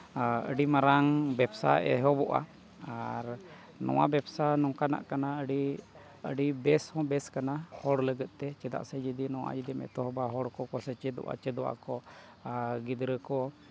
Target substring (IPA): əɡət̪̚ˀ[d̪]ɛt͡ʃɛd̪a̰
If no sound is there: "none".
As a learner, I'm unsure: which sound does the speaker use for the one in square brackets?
t̪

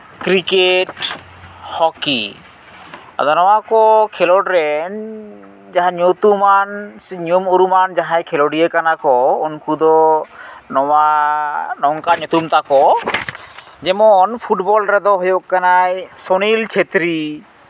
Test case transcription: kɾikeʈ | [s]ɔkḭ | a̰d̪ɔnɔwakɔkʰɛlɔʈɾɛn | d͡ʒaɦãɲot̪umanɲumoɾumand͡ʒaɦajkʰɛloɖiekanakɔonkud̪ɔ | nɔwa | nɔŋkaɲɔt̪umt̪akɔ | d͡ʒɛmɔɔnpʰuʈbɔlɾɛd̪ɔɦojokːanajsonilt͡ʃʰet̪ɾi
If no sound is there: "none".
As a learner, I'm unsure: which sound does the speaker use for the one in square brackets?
h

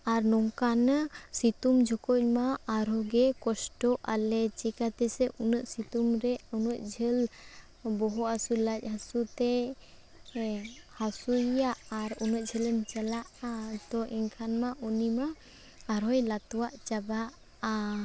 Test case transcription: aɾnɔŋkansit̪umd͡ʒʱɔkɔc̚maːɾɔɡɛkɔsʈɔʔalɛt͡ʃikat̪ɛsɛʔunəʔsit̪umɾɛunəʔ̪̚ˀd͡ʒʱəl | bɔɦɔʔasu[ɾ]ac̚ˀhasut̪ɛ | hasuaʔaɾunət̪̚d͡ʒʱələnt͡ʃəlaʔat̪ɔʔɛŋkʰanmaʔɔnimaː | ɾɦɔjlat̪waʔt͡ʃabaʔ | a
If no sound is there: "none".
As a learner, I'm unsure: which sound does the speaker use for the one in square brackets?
l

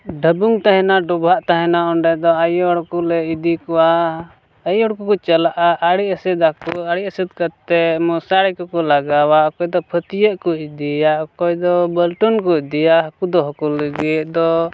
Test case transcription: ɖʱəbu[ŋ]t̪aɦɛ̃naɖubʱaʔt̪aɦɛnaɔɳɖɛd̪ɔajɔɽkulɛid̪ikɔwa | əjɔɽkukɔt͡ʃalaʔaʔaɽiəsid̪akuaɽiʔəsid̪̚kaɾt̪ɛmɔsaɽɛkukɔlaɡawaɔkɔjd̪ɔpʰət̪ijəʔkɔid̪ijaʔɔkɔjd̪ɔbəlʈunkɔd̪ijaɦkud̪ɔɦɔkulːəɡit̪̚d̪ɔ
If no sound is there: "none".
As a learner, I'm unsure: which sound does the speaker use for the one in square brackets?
ŋ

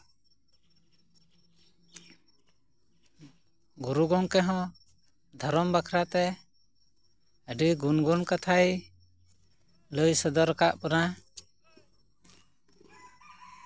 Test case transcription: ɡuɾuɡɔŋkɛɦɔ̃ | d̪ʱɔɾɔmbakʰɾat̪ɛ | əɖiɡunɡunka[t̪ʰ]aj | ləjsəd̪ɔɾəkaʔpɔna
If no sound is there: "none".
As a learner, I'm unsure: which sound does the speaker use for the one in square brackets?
t̪ʰ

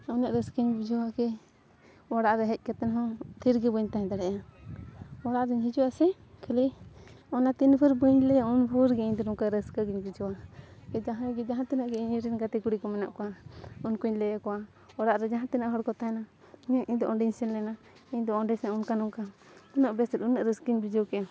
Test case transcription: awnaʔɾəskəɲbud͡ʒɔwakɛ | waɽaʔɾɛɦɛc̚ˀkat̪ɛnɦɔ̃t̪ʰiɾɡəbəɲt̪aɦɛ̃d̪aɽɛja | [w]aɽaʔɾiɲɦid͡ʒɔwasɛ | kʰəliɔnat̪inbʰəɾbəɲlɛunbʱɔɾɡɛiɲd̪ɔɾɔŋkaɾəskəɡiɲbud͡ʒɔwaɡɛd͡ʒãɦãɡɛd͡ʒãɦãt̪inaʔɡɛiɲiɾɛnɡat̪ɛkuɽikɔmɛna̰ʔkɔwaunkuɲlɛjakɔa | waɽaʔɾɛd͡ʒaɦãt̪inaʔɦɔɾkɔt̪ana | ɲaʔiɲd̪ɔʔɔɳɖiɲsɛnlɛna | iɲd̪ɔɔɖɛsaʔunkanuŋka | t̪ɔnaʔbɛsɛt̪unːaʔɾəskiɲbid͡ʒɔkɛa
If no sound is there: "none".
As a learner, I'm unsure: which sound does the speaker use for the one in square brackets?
w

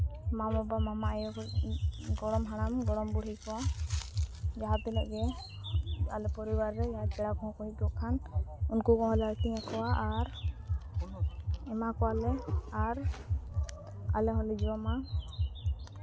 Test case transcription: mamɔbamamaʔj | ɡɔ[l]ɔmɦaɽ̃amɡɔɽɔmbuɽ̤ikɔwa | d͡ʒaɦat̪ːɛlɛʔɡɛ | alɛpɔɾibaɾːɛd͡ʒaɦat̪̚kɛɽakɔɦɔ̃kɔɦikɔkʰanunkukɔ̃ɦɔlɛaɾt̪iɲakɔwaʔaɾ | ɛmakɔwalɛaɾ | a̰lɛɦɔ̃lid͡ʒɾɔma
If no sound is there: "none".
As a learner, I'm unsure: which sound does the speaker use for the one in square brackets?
ɽ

